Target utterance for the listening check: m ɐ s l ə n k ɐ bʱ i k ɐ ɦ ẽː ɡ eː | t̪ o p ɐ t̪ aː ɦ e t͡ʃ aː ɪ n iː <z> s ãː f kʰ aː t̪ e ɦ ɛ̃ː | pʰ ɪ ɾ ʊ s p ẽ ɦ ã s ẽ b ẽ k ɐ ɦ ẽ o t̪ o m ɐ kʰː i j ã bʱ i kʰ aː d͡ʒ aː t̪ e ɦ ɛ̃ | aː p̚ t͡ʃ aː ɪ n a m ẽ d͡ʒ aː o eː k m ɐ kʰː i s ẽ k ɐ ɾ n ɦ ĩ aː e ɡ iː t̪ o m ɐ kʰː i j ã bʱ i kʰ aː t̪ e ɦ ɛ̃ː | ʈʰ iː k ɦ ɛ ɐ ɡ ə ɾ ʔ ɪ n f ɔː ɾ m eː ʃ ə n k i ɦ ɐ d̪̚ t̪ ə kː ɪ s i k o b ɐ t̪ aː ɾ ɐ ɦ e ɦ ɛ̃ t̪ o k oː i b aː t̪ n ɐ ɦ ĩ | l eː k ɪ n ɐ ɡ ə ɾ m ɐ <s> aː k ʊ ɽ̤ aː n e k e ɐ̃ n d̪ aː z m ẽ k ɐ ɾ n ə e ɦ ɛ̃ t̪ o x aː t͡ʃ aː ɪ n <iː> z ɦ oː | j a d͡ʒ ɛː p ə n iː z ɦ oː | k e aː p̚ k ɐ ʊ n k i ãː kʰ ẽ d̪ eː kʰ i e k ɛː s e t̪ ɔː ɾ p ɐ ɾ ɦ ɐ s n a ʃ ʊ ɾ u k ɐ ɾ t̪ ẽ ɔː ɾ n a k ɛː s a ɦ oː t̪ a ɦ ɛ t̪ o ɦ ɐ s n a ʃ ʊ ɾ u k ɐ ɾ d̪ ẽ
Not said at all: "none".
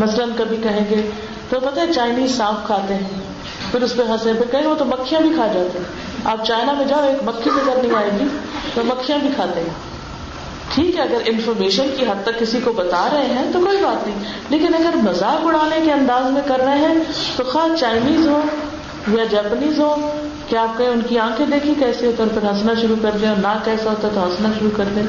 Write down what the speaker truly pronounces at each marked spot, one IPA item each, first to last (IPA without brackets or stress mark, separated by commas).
z, z, iː